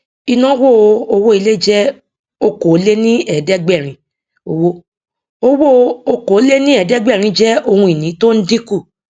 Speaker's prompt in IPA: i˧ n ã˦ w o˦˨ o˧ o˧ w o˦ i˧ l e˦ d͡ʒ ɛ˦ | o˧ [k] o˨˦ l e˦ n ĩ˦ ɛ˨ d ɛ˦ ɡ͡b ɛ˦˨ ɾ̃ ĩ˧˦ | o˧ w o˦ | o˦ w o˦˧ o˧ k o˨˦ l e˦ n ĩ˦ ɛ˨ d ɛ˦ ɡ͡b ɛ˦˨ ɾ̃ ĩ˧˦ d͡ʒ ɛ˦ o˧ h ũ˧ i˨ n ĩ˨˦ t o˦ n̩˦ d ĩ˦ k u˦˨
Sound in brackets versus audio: correct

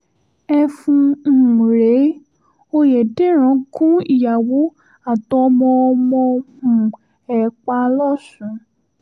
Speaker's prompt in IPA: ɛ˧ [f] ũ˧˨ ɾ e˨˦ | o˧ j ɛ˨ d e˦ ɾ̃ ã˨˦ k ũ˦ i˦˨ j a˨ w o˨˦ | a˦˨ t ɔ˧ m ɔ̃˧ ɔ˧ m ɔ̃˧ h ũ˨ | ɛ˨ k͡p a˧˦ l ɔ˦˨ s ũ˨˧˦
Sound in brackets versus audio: correct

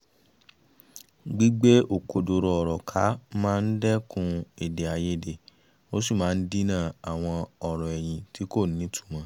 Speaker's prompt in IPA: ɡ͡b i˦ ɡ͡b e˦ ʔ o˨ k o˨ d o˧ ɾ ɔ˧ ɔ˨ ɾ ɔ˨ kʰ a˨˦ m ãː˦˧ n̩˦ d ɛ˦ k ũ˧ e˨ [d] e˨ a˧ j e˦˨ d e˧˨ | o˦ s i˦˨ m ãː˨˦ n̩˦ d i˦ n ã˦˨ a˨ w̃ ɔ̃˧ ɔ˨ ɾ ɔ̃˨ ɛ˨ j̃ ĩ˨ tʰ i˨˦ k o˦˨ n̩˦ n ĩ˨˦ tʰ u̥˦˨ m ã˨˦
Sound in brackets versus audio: correct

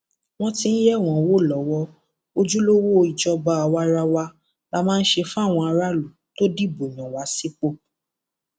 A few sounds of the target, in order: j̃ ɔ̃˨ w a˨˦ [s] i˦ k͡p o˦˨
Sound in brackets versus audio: correct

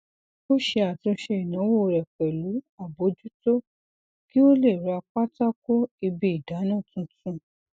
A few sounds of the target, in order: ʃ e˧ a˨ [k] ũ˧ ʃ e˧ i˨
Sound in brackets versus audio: incorrect: t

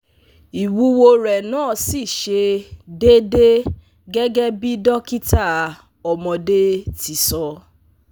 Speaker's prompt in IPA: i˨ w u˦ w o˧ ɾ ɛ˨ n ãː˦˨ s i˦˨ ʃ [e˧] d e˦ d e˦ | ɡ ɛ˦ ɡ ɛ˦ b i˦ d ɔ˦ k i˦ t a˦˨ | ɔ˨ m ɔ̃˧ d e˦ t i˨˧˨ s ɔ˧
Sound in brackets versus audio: correct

